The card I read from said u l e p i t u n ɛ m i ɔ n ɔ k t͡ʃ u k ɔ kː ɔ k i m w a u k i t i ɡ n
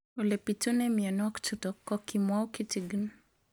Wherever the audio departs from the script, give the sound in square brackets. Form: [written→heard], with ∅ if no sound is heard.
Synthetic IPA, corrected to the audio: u l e p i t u n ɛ m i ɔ n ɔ k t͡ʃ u [k→t] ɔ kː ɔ k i m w a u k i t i ɡ n